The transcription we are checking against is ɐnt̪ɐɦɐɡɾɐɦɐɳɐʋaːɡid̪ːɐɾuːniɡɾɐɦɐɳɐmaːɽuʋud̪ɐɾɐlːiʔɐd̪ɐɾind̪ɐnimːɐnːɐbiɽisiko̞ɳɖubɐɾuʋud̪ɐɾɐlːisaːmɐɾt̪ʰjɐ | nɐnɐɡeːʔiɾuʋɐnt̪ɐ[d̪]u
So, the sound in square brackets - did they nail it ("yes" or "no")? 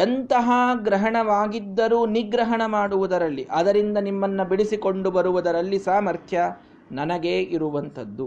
no